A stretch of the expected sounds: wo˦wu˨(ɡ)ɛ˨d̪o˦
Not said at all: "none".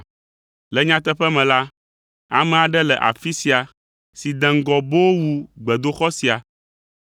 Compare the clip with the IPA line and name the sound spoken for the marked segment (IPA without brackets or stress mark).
ɡ͡b